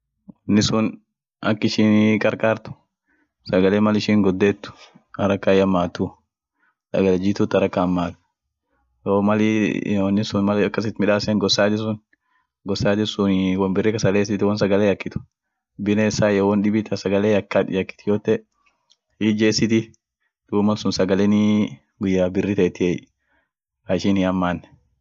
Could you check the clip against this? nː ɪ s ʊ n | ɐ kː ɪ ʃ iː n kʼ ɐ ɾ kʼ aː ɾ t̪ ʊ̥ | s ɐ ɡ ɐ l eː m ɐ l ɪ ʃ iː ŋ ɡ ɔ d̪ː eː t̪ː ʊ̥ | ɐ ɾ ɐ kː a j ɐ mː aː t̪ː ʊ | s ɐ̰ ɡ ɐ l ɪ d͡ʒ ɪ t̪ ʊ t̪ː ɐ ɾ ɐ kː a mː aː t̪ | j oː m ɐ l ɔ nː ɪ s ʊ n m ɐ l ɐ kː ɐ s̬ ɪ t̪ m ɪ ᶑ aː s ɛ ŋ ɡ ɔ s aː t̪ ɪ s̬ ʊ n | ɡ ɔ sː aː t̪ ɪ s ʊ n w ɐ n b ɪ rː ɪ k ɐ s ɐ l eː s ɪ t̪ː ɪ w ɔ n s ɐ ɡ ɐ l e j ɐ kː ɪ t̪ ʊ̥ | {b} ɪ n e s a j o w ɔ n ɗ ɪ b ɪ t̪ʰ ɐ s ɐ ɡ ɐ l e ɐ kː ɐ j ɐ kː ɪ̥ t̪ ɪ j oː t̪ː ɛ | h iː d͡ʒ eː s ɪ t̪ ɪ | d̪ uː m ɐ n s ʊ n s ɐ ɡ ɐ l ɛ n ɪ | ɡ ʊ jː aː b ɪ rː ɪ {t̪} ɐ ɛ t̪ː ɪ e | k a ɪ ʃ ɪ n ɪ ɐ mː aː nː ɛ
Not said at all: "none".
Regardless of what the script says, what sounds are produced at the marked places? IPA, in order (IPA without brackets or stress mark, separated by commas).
b, t̪